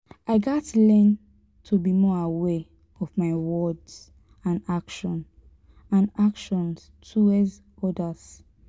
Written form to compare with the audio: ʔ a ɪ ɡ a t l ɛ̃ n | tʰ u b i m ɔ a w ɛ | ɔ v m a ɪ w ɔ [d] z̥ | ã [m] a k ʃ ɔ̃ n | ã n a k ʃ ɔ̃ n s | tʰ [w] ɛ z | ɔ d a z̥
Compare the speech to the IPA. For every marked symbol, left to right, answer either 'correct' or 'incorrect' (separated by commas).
correct, incorrect, incorrect